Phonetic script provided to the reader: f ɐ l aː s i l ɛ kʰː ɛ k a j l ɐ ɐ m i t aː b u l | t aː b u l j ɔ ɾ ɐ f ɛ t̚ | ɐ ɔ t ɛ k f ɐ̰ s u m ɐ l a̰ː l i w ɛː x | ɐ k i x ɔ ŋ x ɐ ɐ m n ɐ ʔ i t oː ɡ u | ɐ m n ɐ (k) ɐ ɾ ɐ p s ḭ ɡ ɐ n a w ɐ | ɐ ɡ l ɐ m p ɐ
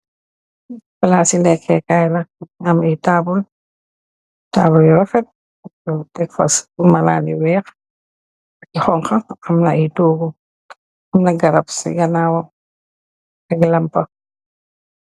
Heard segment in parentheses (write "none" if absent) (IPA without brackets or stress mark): ɡ